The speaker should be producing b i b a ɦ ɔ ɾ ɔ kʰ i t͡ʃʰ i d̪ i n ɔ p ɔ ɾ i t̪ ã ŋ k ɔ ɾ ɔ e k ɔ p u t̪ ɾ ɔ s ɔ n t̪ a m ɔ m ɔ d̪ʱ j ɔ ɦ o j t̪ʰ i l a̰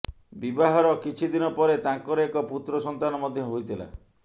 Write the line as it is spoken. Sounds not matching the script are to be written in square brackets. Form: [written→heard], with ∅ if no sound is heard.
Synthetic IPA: b i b a ɦ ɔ ɾ ɔ [kʰ→k] i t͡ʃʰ i d̪ i n ɔ p ɔ ɾ [i→e] t̪ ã ŋ k ɔ ɾ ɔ e k ɔ p u t̪ ɾ ɔ s ɔ n t̪ a [m→n] ɔ m ɔ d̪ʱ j ɔ ɦ o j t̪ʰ i l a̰